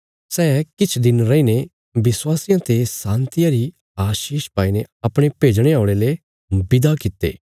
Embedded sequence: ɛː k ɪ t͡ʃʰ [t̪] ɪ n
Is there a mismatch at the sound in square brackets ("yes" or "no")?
yes